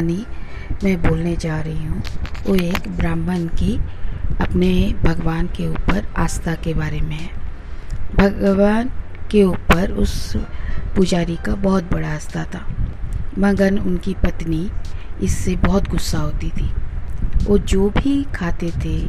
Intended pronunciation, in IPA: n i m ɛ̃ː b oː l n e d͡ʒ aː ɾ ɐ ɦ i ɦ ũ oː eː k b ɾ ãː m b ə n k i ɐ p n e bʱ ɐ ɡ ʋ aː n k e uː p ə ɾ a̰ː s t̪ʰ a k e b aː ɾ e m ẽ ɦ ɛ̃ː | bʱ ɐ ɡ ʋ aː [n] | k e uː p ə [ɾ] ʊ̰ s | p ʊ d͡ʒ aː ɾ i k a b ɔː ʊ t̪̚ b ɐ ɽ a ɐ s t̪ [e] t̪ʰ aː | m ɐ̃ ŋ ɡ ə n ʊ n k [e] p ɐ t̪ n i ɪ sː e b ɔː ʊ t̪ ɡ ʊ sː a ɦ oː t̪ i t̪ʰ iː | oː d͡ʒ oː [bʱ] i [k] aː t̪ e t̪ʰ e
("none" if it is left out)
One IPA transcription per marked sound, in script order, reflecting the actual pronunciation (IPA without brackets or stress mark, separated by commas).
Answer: n, ɾ, a, i, bʱ, kʰ